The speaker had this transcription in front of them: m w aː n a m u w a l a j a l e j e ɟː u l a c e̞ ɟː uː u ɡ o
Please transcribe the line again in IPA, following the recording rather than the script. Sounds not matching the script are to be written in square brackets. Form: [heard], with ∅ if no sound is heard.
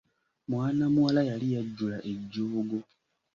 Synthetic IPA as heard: m w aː n a m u w a l a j a l [i] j [a] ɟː u l a [ʔ] e̞ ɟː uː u ɡ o